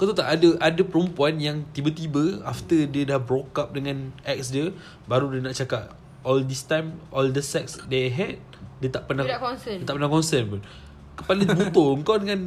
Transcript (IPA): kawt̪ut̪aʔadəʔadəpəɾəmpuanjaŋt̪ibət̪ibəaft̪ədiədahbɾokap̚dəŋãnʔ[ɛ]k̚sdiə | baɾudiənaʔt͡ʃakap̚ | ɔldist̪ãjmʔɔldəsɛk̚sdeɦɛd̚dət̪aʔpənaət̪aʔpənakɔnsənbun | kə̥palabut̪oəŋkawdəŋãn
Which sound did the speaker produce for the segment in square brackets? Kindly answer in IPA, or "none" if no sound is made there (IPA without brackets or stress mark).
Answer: ɛ